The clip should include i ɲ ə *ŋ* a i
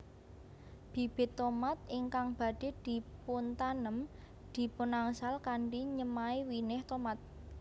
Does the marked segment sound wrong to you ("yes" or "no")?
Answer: yes